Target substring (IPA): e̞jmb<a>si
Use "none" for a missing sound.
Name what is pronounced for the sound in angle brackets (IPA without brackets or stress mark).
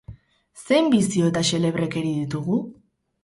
i